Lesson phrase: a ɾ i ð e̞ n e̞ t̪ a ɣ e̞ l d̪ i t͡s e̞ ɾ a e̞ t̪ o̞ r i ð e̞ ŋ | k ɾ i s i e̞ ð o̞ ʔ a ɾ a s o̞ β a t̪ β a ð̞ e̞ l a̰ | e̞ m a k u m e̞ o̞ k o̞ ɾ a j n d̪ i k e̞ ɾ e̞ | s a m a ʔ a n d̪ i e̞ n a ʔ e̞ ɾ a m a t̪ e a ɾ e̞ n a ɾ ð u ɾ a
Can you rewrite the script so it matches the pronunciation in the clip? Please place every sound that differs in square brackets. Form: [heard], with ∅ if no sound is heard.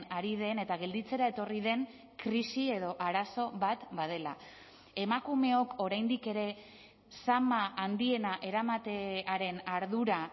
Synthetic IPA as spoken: a ɾ i ð e̞ n e̞ t̪ a ɣ e̞ l d̪ i t͡s e̞ ɾ a e̞ t̪ o̞ r i ð e̞ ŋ | k ɾ i s i e̞ ð o̞ ʔ a ɾ a s o̞ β a t̪ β a ð̞ e̞ l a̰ | e̞ m a k u m e̞ o̞ k o̞ ɾ a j n d̪ i k e̞ ɾ e̞ | s a m a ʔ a n d̪ i e̞ n a ʔ e̞ ɾ a m a t̪ e a ɾ e̞ n a ɾ ð u ɾ a